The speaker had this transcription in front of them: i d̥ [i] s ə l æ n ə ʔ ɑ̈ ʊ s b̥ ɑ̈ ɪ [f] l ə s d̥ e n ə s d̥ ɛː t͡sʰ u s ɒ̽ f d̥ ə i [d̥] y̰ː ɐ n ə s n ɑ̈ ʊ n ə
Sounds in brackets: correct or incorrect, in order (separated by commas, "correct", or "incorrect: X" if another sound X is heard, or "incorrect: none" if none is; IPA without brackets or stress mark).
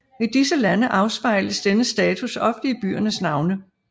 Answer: correct, incorrect: none, incorrect: b̥